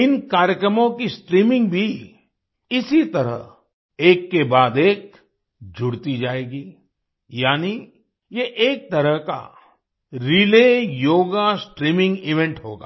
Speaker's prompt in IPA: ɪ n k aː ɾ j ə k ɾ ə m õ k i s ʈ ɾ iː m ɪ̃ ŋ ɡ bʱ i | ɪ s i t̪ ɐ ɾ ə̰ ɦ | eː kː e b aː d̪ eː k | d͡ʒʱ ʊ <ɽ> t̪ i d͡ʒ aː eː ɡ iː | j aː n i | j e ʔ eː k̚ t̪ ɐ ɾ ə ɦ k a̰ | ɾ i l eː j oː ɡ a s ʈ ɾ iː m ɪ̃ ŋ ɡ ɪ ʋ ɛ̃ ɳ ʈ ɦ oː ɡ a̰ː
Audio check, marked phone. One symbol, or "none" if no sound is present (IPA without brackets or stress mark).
ɽ